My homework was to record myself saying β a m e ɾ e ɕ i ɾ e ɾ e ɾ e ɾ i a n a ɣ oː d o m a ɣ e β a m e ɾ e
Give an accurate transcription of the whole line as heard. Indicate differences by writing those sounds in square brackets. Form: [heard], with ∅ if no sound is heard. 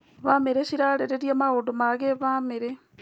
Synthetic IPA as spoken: β a m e ɾ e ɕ i ɾ [a] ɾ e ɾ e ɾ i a [m] a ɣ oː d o m a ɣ e β a m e ɾ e